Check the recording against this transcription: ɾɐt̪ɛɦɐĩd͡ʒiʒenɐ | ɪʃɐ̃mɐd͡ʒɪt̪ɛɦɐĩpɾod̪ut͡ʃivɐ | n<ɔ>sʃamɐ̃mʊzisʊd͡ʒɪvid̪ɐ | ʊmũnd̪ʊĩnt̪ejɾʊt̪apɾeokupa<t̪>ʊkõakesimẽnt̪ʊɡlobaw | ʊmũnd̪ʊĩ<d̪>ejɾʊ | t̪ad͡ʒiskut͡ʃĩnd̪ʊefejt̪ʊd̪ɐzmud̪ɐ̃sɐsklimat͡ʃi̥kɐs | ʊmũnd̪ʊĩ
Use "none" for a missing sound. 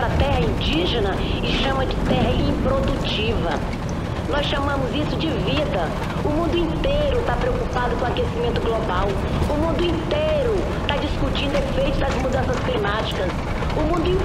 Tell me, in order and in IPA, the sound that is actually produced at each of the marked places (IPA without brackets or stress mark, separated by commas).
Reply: ɔ, d̪, t̪